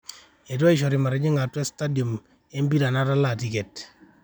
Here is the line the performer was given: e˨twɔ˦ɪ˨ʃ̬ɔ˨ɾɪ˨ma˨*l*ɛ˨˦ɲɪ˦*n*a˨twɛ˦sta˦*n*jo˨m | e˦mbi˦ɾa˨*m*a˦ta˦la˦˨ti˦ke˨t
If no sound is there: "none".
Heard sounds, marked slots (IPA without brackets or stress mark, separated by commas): ɾ, ŋ, d, n